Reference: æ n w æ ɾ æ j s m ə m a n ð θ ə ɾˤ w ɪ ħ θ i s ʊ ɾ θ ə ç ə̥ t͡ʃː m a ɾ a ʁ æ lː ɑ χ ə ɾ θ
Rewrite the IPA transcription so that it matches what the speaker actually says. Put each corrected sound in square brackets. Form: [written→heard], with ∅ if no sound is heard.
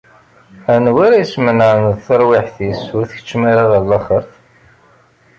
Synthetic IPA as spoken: æ n w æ ɾ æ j s m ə [m→n] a n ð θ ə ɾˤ w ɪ ħ θ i s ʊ ɾ θ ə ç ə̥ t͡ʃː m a ɾ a [ʁ→ð] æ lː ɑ χ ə ɾ θ